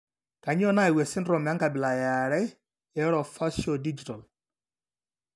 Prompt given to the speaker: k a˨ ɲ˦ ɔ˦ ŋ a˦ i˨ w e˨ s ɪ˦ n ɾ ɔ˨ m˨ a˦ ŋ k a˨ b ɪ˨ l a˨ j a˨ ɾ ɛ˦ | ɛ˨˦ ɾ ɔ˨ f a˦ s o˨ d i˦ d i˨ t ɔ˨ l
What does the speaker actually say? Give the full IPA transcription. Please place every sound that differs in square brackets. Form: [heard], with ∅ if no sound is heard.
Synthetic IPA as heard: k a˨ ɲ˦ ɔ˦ [n] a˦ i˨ w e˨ s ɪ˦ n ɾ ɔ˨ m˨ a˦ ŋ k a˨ b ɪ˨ l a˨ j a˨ ɾ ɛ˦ | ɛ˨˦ ɾ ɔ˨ f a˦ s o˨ d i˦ [d͡ʒ] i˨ t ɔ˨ l

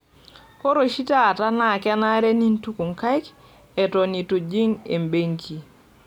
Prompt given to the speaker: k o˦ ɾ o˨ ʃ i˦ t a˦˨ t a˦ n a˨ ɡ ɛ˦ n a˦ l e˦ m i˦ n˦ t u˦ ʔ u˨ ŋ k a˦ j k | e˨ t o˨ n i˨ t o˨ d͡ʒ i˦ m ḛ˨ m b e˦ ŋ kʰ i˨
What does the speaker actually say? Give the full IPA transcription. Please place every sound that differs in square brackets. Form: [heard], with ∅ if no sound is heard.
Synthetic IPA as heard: k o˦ ɾ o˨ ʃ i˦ t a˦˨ t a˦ n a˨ [k] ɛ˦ n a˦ [ɾ] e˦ [n] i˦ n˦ t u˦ [k] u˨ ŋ k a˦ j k | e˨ t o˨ n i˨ t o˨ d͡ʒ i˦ [ŋ] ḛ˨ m b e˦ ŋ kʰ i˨

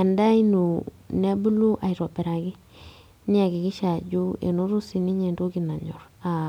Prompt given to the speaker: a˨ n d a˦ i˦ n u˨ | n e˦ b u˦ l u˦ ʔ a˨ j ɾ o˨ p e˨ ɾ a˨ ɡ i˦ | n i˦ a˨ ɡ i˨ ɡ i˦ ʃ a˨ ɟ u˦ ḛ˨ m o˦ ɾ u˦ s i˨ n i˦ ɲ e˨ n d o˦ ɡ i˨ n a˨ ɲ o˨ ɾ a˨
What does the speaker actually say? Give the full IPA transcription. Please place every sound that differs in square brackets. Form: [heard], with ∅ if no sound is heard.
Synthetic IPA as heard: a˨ n d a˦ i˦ n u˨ | n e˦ b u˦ l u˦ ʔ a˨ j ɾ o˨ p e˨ ɾ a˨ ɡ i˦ | n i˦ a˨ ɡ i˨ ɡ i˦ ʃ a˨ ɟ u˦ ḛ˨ [n] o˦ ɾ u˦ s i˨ n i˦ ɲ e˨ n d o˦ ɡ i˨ n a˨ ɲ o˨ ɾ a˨

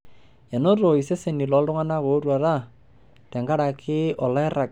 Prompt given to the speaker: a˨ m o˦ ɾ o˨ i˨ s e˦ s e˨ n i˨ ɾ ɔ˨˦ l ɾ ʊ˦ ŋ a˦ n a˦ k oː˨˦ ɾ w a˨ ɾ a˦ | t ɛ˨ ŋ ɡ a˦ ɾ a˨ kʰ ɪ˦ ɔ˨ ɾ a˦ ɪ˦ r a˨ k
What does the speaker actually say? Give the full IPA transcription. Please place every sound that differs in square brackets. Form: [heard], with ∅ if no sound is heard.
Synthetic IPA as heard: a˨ [n] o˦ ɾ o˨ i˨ s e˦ s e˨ n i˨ [l] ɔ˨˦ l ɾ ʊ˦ ŋ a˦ n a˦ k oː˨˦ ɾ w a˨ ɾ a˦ | t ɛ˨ ŋ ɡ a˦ ɾ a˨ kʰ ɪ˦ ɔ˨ [l] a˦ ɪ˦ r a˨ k

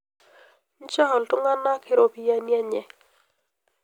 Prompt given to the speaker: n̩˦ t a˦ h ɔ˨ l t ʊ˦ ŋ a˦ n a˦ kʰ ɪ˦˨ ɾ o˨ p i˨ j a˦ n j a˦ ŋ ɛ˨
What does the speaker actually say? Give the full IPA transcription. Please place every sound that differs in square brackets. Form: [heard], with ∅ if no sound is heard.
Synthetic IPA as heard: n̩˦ [t͡ʃ] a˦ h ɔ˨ l t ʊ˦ ŋ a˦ n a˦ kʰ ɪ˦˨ ɾ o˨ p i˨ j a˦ n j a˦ [ɲ] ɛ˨

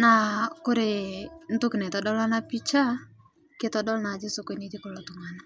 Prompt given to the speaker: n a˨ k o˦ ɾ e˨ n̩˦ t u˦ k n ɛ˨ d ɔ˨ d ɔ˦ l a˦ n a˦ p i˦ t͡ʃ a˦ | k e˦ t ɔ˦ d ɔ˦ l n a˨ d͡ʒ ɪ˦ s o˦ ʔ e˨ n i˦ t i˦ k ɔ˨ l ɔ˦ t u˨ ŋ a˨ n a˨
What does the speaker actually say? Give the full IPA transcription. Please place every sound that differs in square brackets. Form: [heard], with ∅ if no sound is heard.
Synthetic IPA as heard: n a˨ k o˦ ɾ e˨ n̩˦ t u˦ k n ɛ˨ [t] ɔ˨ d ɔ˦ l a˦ n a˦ p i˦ t͡ʃ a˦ | k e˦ t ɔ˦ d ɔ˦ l n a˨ d͡ʒ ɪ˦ s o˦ [k] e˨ n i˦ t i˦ k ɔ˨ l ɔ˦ t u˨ ŋ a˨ n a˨

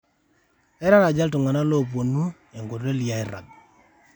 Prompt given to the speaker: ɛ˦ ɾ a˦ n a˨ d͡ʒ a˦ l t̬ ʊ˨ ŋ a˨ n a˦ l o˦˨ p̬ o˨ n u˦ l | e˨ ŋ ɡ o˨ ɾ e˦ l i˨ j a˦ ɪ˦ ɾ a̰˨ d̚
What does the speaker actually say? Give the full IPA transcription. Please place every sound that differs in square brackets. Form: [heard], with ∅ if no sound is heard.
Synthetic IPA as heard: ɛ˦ ɾ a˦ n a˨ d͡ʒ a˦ l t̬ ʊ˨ ŋ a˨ n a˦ l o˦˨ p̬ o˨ n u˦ [∅] | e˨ ŋ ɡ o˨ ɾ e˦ l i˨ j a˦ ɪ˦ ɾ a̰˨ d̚

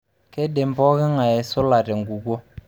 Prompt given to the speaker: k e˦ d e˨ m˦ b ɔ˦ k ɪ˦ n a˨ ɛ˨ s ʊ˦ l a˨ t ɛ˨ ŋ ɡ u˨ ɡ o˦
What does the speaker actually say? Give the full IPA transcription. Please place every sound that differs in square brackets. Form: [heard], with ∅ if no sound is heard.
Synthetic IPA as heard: k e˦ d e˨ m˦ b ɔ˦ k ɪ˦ [ŋ] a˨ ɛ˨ s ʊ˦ l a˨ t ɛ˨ ŋ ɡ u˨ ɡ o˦

